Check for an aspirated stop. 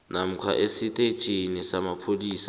present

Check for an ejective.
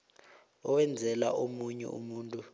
present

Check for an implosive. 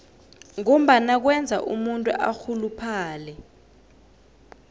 present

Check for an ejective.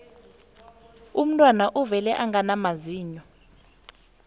present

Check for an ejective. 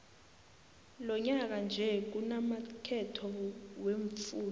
absent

